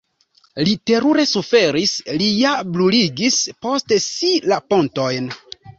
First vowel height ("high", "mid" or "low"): high